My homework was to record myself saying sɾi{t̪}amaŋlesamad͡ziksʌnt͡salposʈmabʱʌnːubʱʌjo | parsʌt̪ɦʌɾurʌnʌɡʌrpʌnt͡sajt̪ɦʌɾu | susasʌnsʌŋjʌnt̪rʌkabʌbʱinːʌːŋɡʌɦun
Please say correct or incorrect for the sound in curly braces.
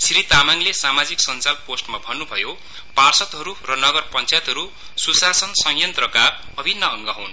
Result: correct